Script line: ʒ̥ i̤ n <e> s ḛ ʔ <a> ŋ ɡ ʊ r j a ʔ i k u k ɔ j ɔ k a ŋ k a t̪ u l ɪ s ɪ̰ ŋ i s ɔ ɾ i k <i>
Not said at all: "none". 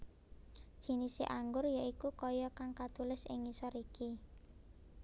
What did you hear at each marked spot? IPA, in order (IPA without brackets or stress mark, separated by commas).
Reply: i, a, i